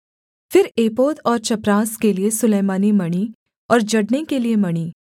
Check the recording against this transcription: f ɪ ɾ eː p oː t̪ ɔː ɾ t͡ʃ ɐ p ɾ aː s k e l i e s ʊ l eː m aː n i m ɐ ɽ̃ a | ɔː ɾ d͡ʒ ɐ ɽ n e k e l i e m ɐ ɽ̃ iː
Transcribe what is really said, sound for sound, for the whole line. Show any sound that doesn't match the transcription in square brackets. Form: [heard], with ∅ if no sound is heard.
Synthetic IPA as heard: f ɪ ɾ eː p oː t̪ ɔː ɾ t͡ʃ ɐ p ɾ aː s k e l i e s ʊ l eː m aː n i m ɐ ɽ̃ [i] | ɔː ɾ d͡ʒ ɐ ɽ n e k e l i e m ɐ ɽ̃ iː